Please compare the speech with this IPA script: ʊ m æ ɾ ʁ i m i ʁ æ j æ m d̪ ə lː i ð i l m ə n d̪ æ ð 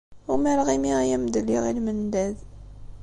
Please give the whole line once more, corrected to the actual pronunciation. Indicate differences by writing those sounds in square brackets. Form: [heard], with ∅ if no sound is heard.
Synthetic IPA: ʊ m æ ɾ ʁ i m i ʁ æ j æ m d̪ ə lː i [ʁ] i l m ə n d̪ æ ð